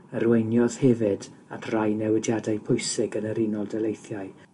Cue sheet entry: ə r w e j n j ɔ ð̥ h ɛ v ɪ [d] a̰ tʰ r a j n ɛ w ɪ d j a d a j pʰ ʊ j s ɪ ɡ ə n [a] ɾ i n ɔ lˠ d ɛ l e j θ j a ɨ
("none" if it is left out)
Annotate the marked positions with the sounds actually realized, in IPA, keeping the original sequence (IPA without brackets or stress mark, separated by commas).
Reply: d, ə